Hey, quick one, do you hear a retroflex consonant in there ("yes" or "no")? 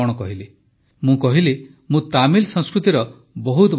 yes